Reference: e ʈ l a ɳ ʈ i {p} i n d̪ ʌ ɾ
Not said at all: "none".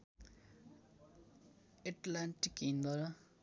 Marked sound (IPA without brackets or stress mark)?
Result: k